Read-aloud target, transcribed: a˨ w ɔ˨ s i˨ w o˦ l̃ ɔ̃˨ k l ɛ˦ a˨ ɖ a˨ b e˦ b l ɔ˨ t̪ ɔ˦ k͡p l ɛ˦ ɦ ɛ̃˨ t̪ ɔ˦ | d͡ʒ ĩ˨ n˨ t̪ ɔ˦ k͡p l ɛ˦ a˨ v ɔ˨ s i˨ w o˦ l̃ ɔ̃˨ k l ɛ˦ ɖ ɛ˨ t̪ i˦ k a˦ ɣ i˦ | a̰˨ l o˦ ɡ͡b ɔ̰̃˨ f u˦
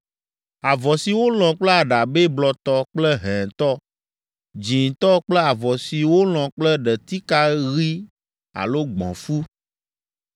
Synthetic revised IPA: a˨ v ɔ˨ s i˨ w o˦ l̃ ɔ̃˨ k͡p l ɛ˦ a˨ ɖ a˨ b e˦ b l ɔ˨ t̪ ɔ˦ k͡p l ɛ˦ ɦ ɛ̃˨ t̪ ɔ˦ | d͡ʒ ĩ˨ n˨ t̪ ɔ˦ k͡p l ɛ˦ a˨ v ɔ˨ s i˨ w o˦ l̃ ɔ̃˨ k͡p l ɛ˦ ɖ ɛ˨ t̪ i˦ k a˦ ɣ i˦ | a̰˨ l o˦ ɡ͡b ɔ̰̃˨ f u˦